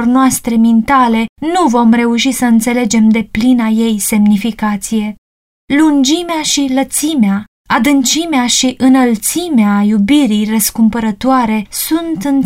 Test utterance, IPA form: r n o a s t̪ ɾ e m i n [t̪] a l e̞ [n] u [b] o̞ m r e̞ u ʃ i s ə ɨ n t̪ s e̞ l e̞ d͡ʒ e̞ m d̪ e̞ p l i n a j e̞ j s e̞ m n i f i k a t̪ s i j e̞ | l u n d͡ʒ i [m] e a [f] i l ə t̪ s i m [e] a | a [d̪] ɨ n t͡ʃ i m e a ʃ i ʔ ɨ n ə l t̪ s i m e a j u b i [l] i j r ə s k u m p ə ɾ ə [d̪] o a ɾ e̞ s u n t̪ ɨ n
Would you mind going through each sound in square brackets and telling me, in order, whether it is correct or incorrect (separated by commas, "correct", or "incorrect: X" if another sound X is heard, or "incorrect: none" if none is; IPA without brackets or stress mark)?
correct, correct, incorrect: v, correct, incorrect: ʃ, correct, correct, incorrect: ɾ, incorrect: t̪